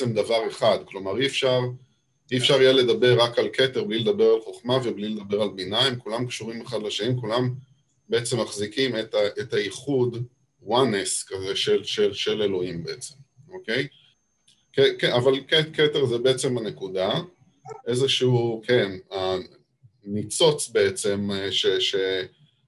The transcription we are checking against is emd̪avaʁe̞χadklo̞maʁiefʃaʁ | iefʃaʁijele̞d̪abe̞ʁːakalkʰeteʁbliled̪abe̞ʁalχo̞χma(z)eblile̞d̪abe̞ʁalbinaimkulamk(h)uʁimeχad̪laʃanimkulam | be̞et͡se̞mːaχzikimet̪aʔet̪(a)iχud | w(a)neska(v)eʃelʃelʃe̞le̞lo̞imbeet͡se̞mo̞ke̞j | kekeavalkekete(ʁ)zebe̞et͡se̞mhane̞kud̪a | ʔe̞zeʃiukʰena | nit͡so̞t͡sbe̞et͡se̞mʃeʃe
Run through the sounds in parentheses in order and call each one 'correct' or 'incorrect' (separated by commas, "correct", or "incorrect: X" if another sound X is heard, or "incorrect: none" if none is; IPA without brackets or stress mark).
incorrect: v, incorrect: ʃ, correct, correct, incorrect: z, correct